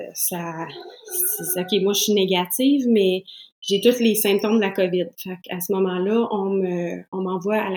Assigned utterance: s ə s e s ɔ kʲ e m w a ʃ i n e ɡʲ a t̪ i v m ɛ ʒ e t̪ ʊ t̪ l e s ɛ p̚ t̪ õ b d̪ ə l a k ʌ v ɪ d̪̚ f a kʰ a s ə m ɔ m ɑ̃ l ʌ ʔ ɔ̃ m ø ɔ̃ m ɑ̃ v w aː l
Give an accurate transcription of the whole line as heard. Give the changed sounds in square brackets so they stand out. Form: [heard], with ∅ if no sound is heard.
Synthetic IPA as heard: s [a] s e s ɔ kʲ e m w a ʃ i n e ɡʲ a t̪ i v m ɛ ʒ e t̪ ʊ t̪ l e s [ɛ̃] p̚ t̪ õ [m] d̪ ə l a k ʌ v ɪ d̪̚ f a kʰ a s ə m ɔ m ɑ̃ l ʌ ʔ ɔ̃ m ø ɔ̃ m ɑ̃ v w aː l